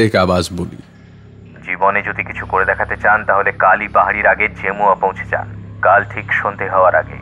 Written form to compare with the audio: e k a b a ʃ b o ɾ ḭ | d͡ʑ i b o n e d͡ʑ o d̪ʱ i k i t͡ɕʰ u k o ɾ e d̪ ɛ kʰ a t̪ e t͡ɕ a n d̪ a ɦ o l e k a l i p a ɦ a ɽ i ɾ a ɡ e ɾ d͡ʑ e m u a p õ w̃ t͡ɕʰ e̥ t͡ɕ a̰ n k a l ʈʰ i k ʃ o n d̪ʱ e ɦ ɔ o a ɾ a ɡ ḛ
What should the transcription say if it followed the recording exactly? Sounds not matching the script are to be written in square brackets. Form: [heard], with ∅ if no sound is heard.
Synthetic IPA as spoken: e k a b a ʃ b o [l] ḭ | d͡ʑ i b o n e d͡ʑ o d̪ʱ i k i t͡ɕʰ u k o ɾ e d̪ ɛ kʰ a t̪ e t͡ɕ a n [t̪] a ɦ o l e k a l i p a ɦ a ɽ i ɾ a ɡ e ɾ d͡ʑ e m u a p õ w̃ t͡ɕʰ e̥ t͡ɕ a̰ n k a l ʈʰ i k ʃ o n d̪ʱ e ɦ ɔ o a ɾ a ɡ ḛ